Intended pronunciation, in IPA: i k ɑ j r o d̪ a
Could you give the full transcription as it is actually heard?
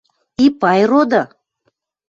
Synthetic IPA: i p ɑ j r o d̪ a